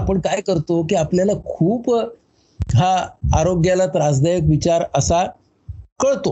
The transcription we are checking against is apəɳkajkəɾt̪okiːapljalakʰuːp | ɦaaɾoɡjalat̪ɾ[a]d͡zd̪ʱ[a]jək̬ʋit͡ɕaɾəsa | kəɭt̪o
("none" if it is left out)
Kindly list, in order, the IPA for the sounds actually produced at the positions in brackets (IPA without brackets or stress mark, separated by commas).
a, a